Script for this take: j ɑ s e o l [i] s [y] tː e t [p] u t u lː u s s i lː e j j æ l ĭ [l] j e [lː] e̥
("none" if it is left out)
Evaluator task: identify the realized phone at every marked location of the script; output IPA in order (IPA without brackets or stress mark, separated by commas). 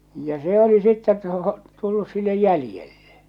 i, i, t, none, lː